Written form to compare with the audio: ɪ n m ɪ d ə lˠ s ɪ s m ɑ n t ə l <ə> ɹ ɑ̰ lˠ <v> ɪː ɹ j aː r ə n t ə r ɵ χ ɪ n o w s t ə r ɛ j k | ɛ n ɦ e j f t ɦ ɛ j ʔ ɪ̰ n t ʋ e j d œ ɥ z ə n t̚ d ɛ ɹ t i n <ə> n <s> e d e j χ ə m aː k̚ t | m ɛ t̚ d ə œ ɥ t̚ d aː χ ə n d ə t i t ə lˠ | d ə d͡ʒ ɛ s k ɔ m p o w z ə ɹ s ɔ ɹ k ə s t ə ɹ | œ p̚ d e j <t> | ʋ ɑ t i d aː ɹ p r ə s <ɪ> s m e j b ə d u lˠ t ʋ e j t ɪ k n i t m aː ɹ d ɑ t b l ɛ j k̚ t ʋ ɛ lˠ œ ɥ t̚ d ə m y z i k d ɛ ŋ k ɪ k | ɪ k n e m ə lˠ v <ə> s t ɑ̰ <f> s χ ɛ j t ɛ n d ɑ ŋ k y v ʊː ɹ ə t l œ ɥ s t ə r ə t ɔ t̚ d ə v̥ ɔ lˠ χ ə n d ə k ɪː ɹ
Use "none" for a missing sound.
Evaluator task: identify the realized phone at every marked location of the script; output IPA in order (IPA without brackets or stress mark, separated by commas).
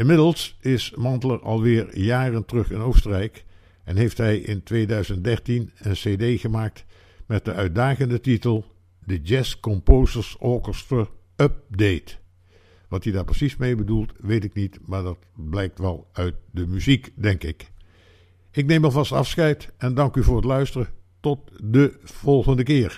ə, ʋ, ə, s, t, i, ɑ, f